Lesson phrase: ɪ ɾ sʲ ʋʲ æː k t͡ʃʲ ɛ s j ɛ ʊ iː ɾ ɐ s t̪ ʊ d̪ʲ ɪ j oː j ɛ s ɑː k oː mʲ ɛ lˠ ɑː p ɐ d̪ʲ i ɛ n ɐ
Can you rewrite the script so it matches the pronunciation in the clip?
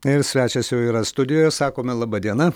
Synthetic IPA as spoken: ɪ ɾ sʲ ʋʲ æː t͡ʃʲ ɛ s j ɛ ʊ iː ɾ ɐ s t̪ ʊ d̪ʲ ɪ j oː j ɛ s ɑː k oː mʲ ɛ lˠ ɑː b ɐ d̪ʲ i ɛ n ɐ